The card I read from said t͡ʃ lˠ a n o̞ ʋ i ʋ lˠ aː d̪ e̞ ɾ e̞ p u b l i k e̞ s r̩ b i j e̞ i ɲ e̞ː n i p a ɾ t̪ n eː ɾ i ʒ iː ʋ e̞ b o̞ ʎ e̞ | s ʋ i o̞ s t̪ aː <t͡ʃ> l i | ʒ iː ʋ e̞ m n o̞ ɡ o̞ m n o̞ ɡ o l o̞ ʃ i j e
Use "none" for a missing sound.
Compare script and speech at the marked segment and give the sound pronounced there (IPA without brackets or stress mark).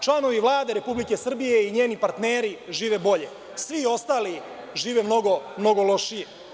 none